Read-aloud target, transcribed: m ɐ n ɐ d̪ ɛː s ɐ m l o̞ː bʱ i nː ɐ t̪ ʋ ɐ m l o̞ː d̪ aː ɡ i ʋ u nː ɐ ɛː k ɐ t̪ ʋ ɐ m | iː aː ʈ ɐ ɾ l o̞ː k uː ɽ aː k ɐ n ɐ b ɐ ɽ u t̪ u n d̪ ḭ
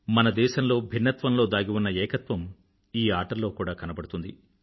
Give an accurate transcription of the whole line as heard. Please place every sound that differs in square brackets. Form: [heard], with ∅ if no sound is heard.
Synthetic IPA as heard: m ɐ n ɐ d̪ ɛː [ʃ] ɐ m l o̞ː bʱ i nː ɐ t̪ ʋ ɐ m l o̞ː d̪ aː ɡ i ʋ u nː ɐ ɛː k ɐ t̪ ʋ ɐ m | iː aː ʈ ɐ ɾ l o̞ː k uː ɽ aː k ɐ n ɐ b ɐ ɽ u t̪ u n d̪ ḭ

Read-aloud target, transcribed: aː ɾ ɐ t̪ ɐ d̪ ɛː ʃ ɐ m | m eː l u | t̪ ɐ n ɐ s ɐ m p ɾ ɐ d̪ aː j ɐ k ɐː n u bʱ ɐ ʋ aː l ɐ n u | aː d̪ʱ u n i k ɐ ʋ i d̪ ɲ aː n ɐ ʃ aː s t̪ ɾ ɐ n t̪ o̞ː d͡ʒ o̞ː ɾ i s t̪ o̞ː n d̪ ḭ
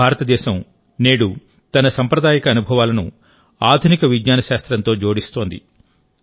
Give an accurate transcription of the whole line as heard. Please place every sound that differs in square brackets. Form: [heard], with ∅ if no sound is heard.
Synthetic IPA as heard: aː ɾ ɐ t̪ ɐ d̪ ɛː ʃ ɐ m | [n] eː [ɽ] u | t̪ ɐ n ɐ s ɐ m p ɾ ɐ d̪ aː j ɐ k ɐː n u bʱ ɐ ʋ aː l ɐ n u | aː d̪ʱ u n i k ɐ ʋ i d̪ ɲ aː n ɐ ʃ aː s t̪ ɾ ɐ n t̪ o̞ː d͡ʒ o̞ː [ɽ] i s t̪ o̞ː n d̪ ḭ

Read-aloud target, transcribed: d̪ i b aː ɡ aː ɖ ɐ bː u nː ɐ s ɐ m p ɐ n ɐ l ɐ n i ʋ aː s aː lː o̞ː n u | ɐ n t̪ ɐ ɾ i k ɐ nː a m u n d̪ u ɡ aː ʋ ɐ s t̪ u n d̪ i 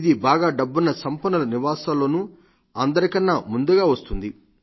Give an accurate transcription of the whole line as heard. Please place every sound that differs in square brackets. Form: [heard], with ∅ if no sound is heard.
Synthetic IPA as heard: d̪ i b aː ɡ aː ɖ ɐ bː u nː ɐ s ɐ m p ɐ n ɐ l ɐ n i ʋ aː s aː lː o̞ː n u | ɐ n [d̪] ɐ ɾ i k ɐ nː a m u n d̪ u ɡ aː ʋ ɐ s t̪ u n d̪ i

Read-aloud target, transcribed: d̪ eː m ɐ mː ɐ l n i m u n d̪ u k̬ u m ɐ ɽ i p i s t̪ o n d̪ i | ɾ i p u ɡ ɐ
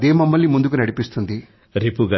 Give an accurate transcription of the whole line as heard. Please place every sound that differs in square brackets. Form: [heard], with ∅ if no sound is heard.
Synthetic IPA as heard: d̪ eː m ɐ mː ɐ l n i m u n d̪ u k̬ u [n] ɐ ɽ i p i s t̪ [u] n d̪ i | ɾ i p u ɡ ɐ

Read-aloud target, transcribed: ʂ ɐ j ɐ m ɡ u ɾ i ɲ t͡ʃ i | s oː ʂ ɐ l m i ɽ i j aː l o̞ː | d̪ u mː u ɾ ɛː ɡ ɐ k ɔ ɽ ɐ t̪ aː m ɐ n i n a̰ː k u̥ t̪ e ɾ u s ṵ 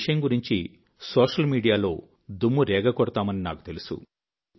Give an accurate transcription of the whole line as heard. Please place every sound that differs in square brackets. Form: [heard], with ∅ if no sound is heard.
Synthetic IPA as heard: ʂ ɐ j ɐ m ɡ u ɾ i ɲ t͡ʃ i | s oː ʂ ɐ l m [iː] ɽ i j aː l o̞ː | d̪ u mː u ɾ ɛː ɡ ɐ k ɔ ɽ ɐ t̪ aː m ɐ n i n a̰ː k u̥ t̪ e [l] u s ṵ

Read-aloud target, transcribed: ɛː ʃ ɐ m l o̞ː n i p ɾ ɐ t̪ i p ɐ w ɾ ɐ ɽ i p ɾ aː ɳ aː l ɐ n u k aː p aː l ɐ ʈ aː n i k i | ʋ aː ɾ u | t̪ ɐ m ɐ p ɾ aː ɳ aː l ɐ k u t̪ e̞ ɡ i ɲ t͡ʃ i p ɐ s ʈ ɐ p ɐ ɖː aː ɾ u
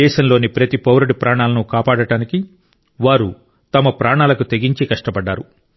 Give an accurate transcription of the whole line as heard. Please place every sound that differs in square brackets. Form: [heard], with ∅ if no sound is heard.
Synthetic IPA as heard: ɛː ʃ ɐ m l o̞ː n i p ɾ ɐ t̪ i p ɐ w ɾ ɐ ɽ i p ɾ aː ɳ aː l ɐ n u k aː p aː [ɽ] ɐ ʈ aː n i k i | ʋ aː ɾ u | t̪ ɐ m ɐ p ɾ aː ɳ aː l ɐ k u t̪ e̞ ɡ i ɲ t͡ʃ i [k] ɐ [ʂ] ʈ ɐ p ɐ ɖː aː ɾ u

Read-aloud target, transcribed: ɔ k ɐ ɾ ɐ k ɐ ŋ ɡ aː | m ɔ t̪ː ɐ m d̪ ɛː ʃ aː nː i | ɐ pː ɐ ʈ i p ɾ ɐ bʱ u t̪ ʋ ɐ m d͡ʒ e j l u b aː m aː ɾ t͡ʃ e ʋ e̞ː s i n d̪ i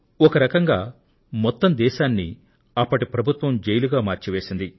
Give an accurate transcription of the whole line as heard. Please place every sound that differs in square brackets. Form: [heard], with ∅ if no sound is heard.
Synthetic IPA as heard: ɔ k ɐ ɾ ɐ k ɐ ŋ ɡ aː | m ɔ t̪ː ɐ m d̪ ɛː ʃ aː nː i | ɐ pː ɐ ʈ i p ɾ ɐ bʱ u t̪ ʋ ɐ m d͡ʒ e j l u [ɡ] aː m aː ɾ t͡ʃ [i] ʋ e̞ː s i n d̪ i

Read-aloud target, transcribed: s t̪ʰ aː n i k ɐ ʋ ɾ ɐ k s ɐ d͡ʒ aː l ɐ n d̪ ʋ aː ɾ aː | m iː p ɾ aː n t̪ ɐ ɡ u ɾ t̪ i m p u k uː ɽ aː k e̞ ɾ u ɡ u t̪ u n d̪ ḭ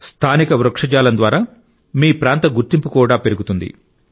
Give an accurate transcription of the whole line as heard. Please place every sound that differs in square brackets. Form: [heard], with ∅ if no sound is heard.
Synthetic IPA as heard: s t̪ʰ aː n i k ɐ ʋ ɾ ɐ k [ʂ] ɐ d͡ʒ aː l ɐ n d̪ ʋ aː ɾ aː | m iː p ɾ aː n t̪ ɐ ɡ u ɾ t̪ i m p u k uː ɽ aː [p] e̞ ɾ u ɡ u t̪ u n d̪ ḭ

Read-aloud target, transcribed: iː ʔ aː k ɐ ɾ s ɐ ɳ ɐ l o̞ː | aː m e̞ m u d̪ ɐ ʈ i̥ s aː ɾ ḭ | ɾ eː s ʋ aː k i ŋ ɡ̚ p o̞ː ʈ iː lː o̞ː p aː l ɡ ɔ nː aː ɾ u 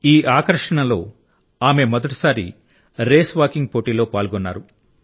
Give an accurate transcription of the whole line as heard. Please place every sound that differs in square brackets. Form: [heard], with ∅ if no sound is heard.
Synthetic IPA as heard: iː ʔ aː k ɐ ɾ [ʂ] ɐ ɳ ɐ l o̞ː | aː m e̞ m [ɔ] d̪ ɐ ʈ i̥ s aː ɾ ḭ | ɾ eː s ʋ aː k i ŋ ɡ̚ p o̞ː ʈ iː [l] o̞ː p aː l ɡ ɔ nː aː ɾ u

